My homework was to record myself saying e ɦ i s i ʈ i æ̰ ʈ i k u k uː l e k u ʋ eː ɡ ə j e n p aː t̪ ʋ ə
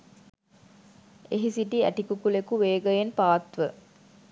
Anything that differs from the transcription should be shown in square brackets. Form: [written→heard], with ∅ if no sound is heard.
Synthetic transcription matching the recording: e ɦ i s i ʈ i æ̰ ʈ i k u k [uː→u] l e k u ʋ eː ɡ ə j e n p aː t̪ ʋ ə